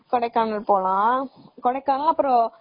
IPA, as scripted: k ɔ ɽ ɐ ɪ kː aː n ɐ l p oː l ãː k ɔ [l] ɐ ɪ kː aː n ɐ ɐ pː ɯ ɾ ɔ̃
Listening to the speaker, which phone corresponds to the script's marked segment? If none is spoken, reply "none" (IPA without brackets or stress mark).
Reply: ɽ